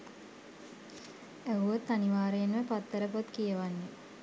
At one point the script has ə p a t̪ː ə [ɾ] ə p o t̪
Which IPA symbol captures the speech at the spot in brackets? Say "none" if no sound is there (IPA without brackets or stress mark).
ɾ